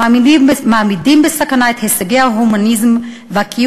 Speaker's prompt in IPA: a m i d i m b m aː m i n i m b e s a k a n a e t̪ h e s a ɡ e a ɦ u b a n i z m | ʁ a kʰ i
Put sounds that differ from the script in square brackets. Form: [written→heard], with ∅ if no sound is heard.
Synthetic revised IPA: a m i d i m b m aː m i [n→d] i m b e s a k a n a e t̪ h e s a ɡ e a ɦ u [b→m] a n i z m | [ʁ→v] a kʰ i